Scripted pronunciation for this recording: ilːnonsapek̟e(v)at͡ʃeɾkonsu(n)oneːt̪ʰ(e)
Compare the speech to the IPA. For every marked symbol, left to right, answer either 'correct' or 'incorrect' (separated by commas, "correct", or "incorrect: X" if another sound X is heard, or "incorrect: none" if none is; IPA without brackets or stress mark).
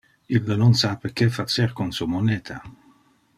incorrect: f, incorrect: m, incorrect: a